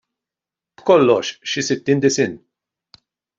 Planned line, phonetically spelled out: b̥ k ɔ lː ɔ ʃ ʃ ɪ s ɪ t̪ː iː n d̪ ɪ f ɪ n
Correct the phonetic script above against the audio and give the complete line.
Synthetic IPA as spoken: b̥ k ɔ lː ɔ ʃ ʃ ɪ s ɪ t̪ː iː n d̪ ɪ s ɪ n